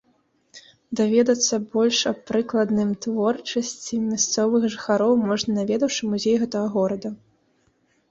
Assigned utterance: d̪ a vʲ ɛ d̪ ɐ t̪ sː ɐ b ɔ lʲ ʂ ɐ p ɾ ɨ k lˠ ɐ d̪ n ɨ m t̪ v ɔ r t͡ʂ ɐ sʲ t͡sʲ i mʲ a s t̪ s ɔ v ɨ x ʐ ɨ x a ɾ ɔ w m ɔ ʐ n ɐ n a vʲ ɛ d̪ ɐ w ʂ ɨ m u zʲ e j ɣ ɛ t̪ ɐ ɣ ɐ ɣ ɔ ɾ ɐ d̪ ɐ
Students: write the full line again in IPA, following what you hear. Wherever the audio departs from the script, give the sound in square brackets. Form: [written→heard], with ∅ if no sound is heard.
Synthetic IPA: d̪ a vʲ ɛ d̪ ɐ t̪ sː ɐ b ɔ lʲ ʂ ɐ p ɾ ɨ k lˠ ɐ d̪ n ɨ m t̪ v ɔ r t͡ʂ ɐ sʲ t͡sʲ i mʲ a s t̪ s ɔ v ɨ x ʐ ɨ x a ɾ ɔ w m ɔ ʐ n ɐ n a vʲ ɛ d̪ ɐ w ʂ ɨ m u zʲ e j ɣ ɛ t̪ ɐ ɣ ɐ ɣ ɔ ɾ ɐ d̪ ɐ